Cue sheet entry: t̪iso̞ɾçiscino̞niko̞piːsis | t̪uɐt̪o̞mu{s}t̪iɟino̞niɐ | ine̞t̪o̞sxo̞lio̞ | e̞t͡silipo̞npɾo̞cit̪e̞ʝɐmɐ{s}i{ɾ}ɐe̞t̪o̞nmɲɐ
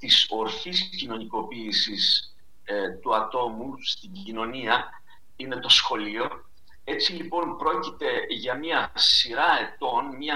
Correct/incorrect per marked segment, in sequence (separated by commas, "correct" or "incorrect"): correct, correct, correct